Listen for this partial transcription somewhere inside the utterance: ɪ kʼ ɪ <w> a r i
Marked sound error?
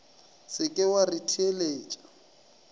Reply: no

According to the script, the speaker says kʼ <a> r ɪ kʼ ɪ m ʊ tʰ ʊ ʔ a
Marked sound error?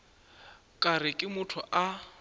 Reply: no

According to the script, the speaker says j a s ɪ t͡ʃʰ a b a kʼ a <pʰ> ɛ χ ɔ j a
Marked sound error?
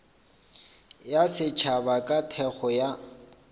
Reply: yes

